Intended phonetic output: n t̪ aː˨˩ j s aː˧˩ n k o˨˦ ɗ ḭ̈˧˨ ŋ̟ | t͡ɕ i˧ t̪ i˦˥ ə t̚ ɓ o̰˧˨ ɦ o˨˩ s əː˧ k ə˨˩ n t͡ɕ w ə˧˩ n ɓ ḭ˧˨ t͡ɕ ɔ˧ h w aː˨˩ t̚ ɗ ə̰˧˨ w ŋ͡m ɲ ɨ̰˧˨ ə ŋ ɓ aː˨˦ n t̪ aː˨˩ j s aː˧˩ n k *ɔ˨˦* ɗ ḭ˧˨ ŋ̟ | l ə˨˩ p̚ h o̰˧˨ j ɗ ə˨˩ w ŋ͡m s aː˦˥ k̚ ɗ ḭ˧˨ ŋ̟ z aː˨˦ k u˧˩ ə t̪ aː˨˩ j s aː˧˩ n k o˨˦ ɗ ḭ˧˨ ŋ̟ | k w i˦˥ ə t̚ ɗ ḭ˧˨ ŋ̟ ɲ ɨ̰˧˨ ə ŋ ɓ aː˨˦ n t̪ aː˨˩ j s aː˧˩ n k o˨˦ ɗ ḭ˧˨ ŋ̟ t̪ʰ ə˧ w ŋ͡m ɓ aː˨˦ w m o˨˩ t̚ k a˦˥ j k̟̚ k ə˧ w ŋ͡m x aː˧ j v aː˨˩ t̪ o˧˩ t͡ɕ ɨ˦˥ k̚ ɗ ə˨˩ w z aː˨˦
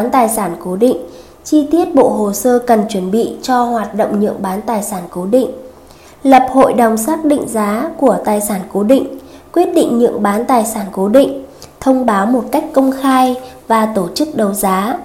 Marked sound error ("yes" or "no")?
yes